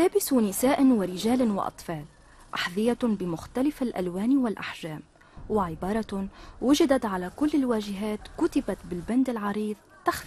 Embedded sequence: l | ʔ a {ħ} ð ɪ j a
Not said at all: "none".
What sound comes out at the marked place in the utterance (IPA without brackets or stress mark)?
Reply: ħ